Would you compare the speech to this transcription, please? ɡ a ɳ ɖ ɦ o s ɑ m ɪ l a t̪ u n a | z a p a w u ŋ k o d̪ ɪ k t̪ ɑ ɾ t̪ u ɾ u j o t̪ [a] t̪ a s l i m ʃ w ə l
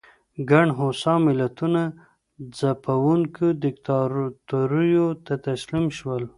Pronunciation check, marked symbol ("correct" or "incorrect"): correct